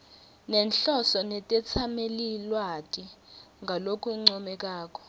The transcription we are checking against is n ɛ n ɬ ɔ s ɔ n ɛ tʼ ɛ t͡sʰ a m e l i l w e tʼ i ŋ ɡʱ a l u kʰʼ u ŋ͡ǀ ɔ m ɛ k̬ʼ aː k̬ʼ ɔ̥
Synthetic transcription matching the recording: n ɛ n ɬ ɔ s ɔ n ɛ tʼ ɛ t͡sʰ a m e l i l w a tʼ i ŋ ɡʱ a l o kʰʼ u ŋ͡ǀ ɔ m ɛ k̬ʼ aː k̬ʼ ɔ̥